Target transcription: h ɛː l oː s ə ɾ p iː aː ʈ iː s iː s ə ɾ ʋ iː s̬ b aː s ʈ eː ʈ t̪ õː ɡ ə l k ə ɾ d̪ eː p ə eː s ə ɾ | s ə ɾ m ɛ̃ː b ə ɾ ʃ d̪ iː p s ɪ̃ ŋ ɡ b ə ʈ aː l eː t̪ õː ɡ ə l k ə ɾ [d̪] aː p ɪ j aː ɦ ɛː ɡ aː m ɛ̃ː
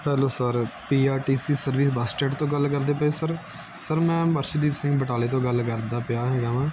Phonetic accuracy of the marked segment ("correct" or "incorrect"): correct